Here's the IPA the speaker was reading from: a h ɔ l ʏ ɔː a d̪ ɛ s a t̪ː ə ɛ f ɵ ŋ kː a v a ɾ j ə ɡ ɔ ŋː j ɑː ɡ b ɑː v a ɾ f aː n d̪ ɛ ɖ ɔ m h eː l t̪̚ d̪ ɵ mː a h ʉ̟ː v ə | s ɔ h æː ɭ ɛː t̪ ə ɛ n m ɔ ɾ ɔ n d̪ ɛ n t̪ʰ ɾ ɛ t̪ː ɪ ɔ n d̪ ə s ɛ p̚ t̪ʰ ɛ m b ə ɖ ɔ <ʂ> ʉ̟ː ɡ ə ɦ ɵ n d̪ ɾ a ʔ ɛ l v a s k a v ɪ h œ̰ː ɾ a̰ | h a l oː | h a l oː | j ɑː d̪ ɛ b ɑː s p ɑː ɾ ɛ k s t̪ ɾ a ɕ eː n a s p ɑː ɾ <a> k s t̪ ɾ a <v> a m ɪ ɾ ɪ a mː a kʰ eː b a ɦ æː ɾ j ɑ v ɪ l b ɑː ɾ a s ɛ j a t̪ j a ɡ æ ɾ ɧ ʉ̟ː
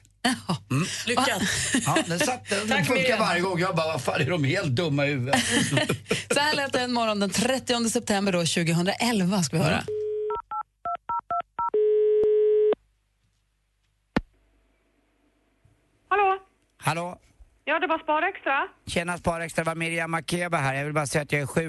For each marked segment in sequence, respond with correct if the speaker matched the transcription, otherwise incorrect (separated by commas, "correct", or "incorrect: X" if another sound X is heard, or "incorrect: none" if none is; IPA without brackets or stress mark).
incorrect: ɕ, incorrect: ɛ, correct